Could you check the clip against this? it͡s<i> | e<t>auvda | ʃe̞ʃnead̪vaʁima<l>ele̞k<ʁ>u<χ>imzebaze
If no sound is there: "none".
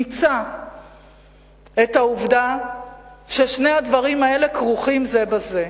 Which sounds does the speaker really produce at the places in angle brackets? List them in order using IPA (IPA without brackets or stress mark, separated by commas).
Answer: a, t, none, ʁ, χ